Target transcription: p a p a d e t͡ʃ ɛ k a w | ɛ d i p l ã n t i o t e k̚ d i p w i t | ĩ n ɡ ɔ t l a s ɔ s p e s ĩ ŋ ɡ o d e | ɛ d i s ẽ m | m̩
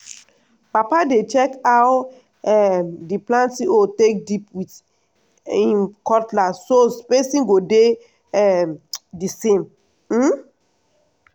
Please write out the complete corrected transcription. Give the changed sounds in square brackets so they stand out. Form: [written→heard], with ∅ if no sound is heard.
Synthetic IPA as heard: p a p a d e t͡ʃ ɛ k a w | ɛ d i p l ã n t i o t e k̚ d i p w i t | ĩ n [ɡ→k] ɔ t l a s [ɔ→o] s p e s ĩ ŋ ɡ o d e | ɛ d i s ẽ m | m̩